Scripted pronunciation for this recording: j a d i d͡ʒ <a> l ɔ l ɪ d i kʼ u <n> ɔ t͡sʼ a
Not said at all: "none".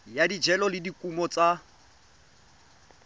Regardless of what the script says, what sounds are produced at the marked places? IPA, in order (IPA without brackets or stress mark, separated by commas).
ɛ, m